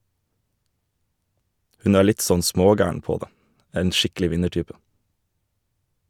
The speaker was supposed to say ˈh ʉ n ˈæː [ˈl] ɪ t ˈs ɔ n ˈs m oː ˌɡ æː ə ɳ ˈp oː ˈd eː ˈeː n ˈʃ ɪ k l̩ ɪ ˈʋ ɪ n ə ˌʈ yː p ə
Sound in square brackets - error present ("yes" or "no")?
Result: yes